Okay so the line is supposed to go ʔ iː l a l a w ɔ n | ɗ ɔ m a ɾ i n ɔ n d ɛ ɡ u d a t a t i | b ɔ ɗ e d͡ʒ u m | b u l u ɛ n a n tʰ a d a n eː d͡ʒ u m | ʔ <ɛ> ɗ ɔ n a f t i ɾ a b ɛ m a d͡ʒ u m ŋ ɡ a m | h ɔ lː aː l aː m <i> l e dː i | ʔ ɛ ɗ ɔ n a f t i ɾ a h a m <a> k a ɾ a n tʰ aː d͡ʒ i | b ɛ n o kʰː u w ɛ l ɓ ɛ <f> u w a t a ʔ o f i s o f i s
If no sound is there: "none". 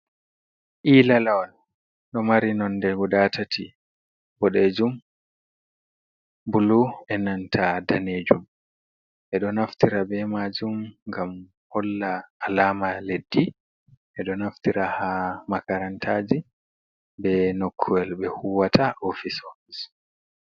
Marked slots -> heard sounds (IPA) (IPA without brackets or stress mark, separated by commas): ɛ, a, a, h